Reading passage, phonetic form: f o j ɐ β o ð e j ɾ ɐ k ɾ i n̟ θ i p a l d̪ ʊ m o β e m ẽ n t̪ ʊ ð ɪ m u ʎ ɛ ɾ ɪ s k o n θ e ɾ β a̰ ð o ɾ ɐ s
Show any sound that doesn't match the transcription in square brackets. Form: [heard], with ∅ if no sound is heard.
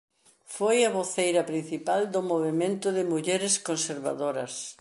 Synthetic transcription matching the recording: f o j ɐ β o [θ] e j ɾ ɐ [p] ɾ i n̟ θ i p a l d̪ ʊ m o β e m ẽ n t̪ ʊ ð ɪ m u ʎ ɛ ɾ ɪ s k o n [s] e ɾ β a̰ ð o ɾ ɐ s